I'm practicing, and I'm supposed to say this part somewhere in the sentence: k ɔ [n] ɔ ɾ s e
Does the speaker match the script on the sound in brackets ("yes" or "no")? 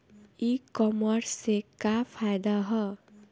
no